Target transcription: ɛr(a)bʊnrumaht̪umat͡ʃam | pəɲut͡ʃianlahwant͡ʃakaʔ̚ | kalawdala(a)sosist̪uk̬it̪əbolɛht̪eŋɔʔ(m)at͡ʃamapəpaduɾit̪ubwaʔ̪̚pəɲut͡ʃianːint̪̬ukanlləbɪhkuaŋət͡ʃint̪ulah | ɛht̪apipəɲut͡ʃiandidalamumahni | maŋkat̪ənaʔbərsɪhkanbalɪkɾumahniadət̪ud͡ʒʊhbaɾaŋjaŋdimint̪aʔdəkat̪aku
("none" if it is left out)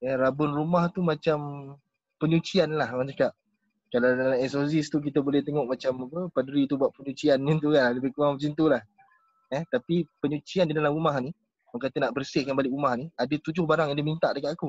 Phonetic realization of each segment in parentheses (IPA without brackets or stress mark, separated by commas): a, ɛ, m